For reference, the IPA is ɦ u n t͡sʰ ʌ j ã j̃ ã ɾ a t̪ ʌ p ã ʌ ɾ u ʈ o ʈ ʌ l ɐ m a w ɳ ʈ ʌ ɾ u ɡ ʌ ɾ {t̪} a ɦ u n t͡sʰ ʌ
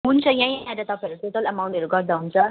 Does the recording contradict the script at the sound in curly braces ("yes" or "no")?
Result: yes